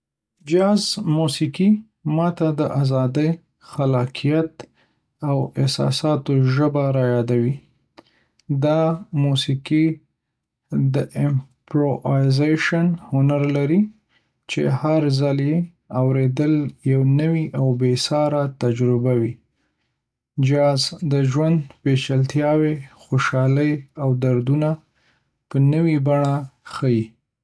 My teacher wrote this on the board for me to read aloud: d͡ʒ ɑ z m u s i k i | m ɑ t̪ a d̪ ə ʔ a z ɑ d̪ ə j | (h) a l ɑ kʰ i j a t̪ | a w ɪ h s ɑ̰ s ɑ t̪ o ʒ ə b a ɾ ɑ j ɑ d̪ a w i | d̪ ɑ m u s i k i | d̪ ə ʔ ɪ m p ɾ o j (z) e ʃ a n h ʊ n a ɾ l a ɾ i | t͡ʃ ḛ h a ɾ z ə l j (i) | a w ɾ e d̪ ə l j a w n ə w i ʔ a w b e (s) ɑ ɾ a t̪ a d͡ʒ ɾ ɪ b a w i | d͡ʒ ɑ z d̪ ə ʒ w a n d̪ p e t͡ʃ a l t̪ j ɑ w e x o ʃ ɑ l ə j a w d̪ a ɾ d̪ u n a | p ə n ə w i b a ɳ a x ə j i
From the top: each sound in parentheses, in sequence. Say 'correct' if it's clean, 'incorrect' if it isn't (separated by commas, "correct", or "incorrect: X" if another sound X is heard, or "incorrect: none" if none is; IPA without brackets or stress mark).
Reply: incorrect: x, correct, incorrect: e, correct